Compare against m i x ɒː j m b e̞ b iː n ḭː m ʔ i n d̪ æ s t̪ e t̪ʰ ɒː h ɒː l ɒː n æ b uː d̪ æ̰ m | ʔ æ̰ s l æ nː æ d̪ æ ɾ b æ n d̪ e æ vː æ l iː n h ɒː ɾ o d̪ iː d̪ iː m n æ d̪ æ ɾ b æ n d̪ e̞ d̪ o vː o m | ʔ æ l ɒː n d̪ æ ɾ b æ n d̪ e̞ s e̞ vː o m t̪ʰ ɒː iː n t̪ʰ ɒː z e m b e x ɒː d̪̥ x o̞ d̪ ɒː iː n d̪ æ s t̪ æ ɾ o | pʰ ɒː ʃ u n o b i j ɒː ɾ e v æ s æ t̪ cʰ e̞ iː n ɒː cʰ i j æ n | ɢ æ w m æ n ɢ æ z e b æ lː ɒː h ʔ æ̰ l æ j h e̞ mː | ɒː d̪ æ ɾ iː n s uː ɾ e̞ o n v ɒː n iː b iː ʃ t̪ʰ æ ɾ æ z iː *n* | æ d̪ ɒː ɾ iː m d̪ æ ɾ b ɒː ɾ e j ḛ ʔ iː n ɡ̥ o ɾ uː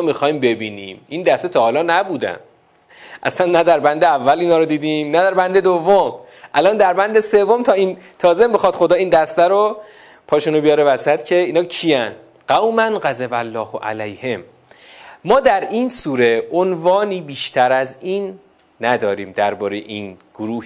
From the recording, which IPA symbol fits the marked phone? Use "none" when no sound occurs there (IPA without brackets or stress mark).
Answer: nː